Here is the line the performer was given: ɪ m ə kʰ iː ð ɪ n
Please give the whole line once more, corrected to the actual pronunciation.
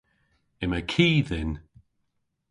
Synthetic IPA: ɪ m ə kʰ iː ð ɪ n